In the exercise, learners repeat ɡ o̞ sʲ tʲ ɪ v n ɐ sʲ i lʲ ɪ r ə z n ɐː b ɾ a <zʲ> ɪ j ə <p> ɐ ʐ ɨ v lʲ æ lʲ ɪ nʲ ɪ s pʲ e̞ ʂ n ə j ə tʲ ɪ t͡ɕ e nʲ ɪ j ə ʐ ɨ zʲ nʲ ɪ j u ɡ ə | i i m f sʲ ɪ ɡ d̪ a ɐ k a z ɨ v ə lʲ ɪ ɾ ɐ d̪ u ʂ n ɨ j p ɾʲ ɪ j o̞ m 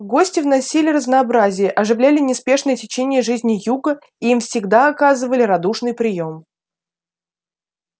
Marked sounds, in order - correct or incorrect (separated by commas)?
correct, incorrect